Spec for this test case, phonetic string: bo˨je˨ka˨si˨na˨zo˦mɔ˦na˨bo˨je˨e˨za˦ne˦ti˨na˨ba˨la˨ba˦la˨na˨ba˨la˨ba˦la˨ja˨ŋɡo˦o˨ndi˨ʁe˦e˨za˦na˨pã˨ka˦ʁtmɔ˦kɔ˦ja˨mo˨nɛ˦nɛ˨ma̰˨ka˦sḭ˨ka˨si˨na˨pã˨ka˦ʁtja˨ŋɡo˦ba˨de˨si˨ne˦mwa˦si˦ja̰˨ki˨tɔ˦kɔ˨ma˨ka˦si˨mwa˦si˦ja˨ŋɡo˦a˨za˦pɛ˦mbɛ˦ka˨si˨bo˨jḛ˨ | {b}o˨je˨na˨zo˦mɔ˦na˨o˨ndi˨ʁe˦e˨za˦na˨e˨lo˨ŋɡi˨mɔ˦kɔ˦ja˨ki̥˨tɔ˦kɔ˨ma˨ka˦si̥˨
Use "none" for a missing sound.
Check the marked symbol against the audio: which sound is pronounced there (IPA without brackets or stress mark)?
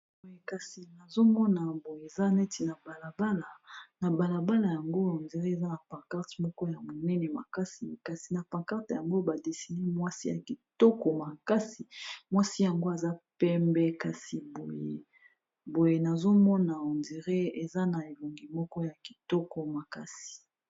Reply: b